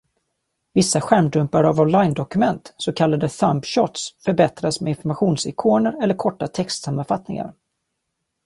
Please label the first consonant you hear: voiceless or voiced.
voiced